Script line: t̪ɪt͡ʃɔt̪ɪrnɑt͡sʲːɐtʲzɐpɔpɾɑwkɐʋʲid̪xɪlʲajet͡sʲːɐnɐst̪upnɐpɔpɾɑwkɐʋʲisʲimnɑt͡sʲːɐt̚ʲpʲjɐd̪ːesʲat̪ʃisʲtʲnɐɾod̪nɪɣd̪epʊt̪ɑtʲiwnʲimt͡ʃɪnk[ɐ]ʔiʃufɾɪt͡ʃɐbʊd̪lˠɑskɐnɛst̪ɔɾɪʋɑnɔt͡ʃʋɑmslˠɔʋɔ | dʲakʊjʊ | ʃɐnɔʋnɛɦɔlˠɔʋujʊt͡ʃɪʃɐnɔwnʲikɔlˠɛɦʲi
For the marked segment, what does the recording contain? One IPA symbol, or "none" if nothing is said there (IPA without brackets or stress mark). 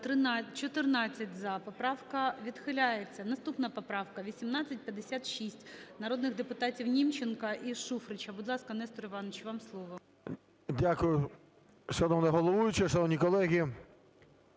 ɐ